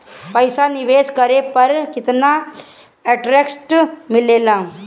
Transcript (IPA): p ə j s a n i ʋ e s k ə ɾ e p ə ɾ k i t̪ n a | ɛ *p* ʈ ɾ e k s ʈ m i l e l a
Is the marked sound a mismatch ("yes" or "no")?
yes